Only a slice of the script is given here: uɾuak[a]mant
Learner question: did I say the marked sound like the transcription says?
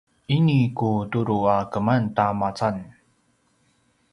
no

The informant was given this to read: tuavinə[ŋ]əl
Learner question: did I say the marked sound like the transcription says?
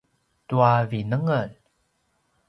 yes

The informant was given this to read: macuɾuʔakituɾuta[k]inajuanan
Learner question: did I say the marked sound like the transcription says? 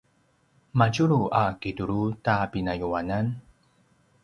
no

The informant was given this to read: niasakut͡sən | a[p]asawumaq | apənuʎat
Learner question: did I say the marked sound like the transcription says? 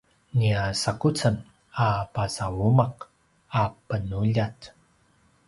yes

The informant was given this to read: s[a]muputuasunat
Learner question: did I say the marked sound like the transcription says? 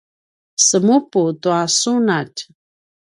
no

